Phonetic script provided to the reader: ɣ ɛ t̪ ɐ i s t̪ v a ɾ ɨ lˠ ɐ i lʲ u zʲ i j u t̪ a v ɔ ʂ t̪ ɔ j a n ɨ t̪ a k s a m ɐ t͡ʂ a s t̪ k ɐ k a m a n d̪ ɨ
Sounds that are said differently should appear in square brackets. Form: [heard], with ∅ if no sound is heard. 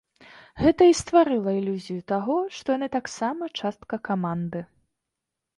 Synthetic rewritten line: ɣ ɛ t̪ ɐ i s t̪ v a ɾ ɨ lˠ ɐ i lʲ u zʲ i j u t̪ a [ɣ] ɔ ʂ t̪ ɔ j a n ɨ t̪ a k s a m ɐ t͡ʂ a s t̪ k ɐ k a m a n d̪ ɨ